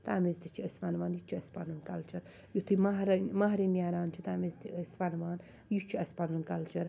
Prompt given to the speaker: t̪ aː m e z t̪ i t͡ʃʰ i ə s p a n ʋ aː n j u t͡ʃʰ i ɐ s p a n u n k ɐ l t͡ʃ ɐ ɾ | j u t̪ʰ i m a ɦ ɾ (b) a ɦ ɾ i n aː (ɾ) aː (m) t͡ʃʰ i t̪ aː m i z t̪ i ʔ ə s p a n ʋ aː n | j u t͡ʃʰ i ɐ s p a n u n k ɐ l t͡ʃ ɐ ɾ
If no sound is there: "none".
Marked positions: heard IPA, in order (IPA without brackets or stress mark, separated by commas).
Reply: m, ɾ, n